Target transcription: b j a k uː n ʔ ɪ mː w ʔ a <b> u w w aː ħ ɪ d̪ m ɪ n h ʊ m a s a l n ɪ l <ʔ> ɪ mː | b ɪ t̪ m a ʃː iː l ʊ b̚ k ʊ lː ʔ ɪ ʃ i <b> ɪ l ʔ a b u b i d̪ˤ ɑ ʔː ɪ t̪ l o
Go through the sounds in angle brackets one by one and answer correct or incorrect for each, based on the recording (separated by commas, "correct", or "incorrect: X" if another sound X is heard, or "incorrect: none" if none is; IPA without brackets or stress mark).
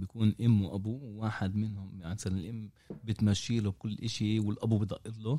correct, correct, incorrect: w